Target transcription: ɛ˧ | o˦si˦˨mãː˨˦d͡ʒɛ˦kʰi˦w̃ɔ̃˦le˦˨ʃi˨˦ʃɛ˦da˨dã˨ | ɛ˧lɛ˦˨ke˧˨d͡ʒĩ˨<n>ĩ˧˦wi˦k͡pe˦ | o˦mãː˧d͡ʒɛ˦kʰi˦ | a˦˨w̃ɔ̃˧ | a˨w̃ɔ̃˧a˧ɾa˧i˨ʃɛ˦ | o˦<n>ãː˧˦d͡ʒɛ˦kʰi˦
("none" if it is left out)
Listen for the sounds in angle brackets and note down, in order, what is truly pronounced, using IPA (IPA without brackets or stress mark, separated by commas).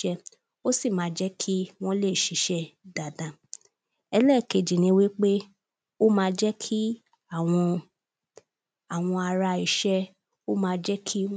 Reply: n, m